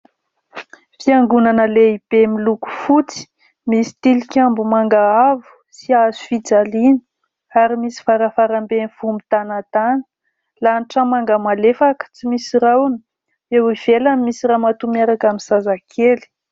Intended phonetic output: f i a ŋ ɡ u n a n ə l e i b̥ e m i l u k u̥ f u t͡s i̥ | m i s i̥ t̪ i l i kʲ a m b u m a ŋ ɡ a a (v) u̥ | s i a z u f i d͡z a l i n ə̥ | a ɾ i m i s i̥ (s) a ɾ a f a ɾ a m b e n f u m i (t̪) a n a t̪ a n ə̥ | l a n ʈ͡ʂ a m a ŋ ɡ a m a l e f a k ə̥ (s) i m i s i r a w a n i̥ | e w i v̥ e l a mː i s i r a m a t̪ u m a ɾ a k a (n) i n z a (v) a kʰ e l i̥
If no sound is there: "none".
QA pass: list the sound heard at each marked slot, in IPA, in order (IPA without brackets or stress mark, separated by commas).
v, f, t̪, t͡s, m, z